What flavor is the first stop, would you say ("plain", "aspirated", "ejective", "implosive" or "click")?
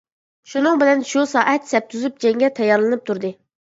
plain